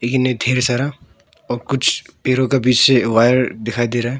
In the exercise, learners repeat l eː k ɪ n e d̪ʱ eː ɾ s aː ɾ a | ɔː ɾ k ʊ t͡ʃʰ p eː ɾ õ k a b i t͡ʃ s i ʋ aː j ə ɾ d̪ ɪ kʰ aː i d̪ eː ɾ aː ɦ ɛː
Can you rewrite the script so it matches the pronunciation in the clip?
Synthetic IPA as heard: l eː k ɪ n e d̪ʱ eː ɾ s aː ɾ a | ɔː ɾ k ʊ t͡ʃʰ p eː ɾ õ k a b iː t͡ʃ s e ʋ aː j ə ɾ d̪ ɪ kʰ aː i d̪ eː ɾ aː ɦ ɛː